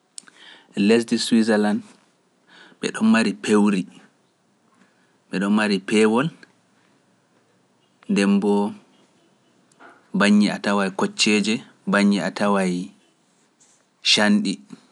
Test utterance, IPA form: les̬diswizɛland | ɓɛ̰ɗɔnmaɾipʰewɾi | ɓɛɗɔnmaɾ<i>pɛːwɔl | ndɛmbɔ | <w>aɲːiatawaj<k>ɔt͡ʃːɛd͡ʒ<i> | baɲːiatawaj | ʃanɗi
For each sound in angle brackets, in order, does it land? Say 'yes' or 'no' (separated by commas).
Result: yes, no, yes, no